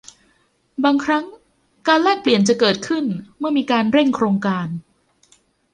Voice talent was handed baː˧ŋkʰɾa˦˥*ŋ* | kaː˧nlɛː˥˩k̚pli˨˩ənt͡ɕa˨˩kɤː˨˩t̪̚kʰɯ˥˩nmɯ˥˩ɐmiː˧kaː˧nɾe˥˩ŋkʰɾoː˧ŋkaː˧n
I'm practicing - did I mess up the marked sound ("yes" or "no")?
no